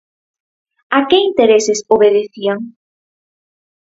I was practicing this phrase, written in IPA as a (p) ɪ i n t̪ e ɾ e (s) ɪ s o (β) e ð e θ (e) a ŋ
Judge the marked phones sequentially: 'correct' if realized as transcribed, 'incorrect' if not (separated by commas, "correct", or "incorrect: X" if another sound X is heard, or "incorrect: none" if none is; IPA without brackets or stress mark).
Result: incorrect: k, correct, correct, incorrect: i